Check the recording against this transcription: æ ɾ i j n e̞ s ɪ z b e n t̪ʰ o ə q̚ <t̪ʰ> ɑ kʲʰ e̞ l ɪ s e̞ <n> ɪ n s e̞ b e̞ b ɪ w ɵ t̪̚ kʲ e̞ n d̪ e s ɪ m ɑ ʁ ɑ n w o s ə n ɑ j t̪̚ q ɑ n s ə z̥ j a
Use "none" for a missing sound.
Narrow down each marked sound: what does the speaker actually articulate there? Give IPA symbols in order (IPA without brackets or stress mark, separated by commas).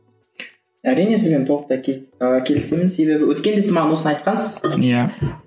t̪, m